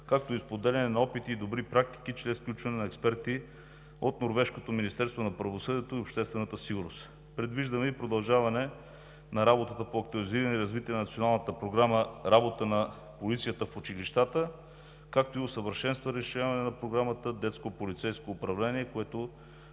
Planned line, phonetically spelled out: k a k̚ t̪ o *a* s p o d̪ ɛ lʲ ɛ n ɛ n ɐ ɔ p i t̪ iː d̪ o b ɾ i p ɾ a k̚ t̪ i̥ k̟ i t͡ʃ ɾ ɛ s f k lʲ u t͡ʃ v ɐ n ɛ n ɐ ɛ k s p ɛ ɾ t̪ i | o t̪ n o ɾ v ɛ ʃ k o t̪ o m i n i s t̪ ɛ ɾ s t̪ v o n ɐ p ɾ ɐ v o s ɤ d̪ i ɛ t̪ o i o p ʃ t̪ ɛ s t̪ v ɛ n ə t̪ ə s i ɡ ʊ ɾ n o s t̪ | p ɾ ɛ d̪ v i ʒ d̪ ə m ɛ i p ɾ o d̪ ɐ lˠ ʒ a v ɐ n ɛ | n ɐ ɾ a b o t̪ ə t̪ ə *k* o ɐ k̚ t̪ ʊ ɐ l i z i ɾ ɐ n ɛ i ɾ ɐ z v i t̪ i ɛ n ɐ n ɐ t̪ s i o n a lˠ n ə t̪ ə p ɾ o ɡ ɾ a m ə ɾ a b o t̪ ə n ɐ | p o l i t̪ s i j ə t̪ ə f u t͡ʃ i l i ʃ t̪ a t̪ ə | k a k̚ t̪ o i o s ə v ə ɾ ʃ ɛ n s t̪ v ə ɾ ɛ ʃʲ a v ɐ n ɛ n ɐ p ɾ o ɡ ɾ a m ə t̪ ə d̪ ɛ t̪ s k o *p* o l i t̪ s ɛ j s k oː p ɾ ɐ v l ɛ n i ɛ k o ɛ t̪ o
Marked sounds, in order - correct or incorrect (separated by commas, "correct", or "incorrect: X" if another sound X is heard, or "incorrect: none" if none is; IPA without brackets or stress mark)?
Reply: incorrect: i, incorrect: p, correct